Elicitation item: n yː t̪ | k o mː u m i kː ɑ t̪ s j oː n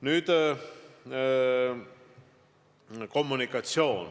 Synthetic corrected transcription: n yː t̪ | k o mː u n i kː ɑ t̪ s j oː n